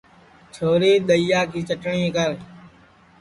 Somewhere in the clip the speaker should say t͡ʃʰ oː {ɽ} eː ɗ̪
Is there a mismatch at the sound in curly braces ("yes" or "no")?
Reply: yes